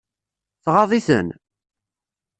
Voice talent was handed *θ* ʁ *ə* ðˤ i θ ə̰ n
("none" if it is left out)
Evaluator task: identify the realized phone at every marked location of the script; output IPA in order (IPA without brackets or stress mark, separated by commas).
θ, ɑ